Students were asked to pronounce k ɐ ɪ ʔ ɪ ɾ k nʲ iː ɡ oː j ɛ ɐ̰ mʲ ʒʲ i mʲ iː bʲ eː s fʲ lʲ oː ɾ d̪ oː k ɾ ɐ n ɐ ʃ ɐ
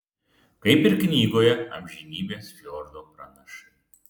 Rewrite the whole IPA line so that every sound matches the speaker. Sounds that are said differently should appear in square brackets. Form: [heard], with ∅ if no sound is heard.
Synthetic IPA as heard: k ɐ ɪ [p] ɪ ɾ k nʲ iː ɡ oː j ɛ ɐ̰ mʲ ʒʲ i [nʲ] iː bʲ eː s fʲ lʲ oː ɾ d̪ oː [p] ɾ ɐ n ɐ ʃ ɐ